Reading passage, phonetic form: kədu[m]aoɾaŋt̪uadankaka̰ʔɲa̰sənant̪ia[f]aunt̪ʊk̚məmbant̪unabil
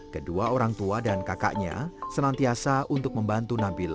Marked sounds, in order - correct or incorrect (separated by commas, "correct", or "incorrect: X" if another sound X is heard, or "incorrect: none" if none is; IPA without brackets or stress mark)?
incorrect: none, incorrect: s